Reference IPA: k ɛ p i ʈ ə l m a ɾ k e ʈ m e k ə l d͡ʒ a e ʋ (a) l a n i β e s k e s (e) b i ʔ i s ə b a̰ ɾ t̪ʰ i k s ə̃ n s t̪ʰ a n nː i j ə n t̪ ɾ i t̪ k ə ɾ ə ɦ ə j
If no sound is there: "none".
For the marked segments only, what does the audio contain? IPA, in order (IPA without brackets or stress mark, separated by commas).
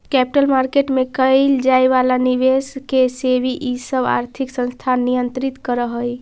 a, e